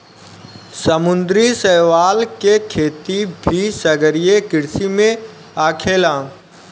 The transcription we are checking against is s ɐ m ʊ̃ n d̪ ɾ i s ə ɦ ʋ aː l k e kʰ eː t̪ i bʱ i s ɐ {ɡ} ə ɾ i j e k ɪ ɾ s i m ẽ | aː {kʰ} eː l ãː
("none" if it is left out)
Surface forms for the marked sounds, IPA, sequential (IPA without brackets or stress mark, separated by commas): ɡ, kʰ